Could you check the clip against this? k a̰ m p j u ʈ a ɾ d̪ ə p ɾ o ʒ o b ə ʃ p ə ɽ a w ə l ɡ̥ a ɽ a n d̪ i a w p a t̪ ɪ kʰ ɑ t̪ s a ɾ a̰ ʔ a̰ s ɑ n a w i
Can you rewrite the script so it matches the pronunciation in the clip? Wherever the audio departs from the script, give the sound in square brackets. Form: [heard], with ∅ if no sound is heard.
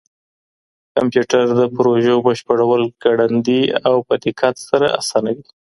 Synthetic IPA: k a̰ m p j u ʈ a ɾ d̪ ə p ɾ o ʒ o b ə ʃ p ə ɽ a w ə l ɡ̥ a ɽ a n d̪ i a w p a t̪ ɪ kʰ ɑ t̪ s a ɾ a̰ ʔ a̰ s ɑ n a w i